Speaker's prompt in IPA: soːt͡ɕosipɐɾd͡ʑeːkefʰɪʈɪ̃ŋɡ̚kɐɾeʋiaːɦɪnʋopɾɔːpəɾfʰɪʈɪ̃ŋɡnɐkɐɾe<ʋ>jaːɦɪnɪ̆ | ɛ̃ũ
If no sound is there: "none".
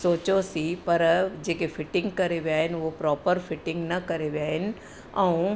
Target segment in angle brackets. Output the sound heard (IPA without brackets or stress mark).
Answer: ʋ